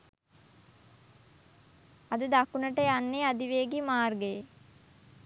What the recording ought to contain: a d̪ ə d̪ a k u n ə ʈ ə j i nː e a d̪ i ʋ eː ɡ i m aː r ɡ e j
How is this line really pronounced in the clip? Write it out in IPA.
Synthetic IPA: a d̪ ə d̪ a k u n ə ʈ ə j a nː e a d̪ i ʋ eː ɡ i m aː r ɡ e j